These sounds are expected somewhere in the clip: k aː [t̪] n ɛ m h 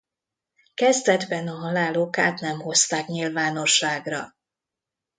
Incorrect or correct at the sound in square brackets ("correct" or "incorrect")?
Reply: correct